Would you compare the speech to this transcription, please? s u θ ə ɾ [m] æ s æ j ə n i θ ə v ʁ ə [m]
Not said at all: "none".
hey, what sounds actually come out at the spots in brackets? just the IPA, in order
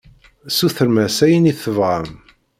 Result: m, m

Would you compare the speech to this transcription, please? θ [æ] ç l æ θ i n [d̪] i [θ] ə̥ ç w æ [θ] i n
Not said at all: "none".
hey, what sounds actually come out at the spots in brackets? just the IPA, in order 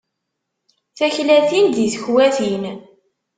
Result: æ, d̪, θ, θ

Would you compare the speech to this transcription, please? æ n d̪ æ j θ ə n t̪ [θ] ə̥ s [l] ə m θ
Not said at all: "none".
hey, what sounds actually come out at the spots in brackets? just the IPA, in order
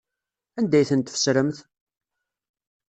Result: f, ɾ

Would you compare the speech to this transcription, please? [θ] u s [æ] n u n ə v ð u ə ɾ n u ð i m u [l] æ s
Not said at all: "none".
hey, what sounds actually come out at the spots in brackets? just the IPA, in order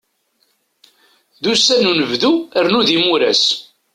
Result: ð, æ, ɾ

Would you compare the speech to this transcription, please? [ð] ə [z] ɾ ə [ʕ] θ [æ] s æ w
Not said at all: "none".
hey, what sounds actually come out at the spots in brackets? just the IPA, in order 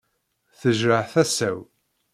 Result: θ, ʒ, ʕ, æ

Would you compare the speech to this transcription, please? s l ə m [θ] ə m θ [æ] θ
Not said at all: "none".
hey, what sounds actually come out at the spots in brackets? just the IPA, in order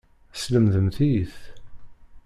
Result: ð, i

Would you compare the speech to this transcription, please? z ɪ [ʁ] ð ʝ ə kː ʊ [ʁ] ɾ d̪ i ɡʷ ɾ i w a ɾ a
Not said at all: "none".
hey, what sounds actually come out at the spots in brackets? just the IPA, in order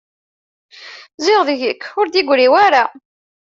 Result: ʁ, none

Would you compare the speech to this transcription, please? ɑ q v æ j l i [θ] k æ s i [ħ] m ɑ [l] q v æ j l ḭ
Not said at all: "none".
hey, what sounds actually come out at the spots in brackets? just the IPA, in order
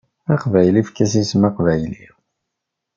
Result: f, s, none

